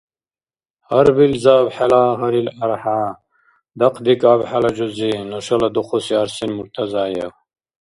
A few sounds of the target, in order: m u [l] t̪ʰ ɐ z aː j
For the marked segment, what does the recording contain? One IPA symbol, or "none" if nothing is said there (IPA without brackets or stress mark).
ɾ